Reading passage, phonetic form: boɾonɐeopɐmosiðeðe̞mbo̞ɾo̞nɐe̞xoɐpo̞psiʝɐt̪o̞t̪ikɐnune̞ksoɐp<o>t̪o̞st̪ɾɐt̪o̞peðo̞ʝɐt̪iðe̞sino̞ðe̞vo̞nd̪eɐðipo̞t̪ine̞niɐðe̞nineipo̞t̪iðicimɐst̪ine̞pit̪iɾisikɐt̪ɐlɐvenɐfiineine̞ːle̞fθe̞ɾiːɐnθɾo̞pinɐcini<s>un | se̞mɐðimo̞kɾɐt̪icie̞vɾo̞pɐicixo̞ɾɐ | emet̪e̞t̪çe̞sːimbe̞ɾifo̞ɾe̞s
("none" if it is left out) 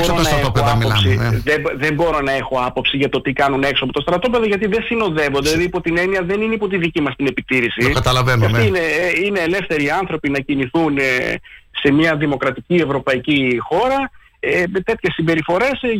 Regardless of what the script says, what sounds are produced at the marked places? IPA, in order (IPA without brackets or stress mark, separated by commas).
o, θ